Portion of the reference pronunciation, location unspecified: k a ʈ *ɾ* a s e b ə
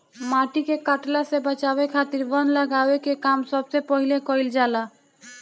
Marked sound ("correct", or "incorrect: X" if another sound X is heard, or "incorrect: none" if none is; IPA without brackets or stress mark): incorrect: l